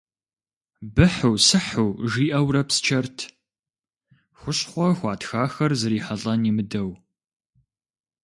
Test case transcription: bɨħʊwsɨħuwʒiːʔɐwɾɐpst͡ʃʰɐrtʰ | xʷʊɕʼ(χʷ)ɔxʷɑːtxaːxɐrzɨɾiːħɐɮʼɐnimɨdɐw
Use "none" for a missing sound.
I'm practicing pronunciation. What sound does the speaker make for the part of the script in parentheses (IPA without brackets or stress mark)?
χʷ